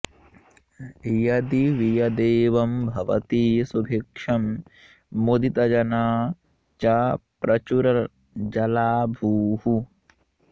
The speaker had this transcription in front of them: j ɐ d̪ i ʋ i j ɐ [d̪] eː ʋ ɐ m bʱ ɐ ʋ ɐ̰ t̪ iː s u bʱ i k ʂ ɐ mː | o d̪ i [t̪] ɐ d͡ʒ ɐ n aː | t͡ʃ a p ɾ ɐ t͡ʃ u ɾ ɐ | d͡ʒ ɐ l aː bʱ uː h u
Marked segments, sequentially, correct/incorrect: correct, correct

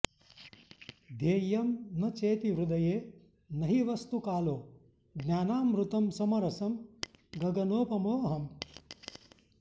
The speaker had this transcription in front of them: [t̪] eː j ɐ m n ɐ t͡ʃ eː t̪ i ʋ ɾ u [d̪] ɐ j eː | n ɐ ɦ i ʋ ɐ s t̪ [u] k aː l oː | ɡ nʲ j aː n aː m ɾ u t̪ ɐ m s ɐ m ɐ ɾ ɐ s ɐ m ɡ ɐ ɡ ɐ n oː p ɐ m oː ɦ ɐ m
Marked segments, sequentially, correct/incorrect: incorrect, correct, correct

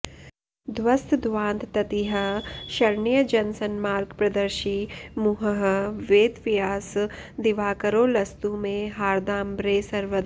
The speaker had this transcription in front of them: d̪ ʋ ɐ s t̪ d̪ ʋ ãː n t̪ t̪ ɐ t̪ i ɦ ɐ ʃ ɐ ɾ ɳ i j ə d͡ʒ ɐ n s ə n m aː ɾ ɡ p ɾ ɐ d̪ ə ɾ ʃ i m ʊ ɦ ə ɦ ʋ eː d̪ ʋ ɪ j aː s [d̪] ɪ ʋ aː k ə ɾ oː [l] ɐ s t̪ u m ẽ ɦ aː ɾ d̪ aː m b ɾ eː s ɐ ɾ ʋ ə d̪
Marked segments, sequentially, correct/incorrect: correct, correct

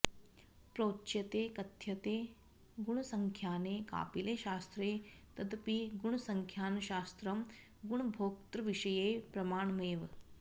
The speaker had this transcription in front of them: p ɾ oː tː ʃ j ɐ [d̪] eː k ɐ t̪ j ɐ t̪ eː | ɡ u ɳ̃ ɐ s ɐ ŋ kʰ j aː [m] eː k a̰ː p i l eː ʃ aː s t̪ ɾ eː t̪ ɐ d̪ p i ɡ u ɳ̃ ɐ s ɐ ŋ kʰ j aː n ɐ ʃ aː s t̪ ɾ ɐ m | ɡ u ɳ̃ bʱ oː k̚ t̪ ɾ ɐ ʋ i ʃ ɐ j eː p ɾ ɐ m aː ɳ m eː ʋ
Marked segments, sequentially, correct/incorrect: incorrect, incorrect

